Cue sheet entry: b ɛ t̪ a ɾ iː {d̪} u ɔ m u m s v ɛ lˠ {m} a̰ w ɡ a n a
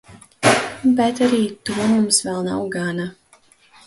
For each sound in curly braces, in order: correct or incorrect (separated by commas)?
incorrect, incorrect